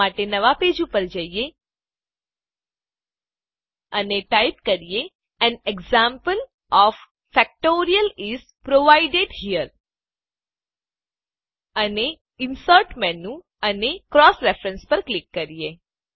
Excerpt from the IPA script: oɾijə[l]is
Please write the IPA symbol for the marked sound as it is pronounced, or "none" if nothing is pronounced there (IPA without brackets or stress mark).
l